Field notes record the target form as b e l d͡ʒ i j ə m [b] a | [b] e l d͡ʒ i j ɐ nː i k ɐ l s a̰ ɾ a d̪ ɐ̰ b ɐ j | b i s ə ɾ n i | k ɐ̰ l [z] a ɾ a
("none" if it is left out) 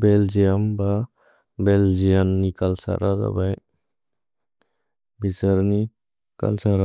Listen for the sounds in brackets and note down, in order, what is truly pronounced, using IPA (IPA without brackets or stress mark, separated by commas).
b, b, s